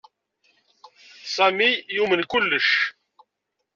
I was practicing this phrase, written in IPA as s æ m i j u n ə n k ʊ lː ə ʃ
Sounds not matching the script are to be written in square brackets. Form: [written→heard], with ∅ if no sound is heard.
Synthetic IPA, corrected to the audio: s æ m i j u [n→m] ə n k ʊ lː ə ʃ